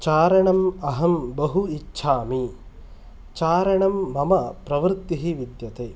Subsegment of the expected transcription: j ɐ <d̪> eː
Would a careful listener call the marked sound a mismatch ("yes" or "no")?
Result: yes